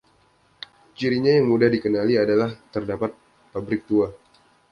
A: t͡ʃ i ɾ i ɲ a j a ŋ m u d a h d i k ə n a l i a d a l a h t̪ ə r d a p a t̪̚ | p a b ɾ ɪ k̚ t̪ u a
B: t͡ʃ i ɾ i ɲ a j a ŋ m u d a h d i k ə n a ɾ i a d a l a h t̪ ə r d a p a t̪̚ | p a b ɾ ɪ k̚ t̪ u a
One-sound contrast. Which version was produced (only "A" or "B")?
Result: A